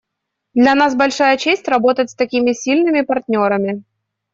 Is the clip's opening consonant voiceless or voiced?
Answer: voiced